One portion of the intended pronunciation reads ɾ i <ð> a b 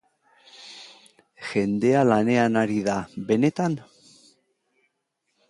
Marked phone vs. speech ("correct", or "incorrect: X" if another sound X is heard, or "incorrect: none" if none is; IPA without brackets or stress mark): correct